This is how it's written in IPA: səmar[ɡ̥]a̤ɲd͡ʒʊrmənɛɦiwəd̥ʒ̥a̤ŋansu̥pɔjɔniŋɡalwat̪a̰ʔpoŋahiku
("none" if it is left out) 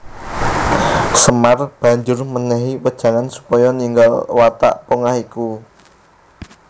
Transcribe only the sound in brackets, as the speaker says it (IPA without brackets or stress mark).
b̥